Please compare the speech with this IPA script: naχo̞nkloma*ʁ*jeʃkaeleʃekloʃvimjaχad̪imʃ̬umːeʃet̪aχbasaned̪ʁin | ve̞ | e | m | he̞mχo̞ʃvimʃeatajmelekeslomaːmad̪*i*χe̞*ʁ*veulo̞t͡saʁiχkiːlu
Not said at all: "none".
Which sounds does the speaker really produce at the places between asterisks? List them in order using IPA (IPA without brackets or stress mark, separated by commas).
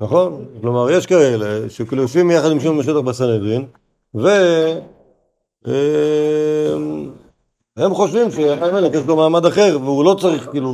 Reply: ʁ, a, ʁ